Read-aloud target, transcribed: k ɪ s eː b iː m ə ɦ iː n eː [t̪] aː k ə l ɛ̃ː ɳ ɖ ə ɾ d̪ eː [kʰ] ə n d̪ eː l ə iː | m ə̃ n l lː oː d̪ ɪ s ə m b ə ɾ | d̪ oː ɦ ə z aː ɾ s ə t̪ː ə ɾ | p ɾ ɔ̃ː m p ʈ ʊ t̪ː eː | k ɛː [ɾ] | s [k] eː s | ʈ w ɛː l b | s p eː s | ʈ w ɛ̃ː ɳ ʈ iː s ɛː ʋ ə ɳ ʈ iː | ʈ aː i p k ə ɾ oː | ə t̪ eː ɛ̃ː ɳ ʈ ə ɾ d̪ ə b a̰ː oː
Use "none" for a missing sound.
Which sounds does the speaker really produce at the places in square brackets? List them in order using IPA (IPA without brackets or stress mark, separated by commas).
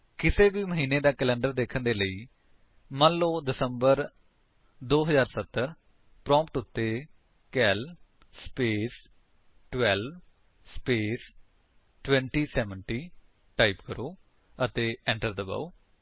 d̪, kʰ, l, p